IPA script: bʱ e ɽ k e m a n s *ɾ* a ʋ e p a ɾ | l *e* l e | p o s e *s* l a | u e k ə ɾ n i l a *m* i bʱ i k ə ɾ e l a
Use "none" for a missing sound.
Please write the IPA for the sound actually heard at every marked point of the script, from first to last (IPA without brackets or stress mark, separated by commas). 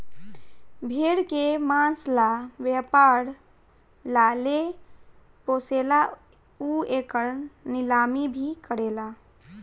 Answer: l, a, none, m